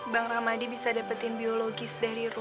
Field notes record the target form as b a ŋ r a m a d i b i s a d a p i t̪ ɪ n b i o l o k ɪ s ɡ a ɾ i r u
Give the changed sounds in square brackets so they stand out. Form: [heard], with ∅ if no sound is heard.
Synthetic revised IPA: b a ŋ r a m a d i b i s a d a p [a] t̪ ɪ n b i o l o [ɡ] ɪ s [d] a ɾ i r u